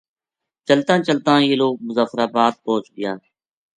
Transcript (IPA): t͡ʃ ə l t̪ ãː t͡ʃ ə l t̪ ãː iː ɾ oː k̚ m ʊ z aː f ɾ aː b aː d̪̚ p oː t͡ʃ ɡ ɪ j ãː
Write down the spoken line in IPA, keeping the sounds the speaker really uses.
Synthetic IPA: t͡ʃ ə l t̪ ãː t͡ʃ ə l t̪ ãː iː l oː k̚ m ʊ z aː f ɾ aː b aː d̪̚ p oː t͡ʃ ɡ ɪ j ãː